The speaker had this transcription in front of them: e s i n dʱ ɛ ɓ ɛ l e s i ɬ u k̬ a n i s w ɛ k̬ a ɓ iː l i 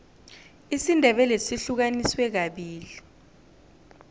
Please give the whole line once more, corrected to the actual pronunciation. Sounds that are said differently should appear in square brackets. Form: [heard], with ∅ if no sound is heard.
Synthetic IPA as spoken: [i] s i n dʱ ɛ ɓ ɛ l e s i ɬ u k̬ a n i s w ɛ k̬ a ɓ iː l i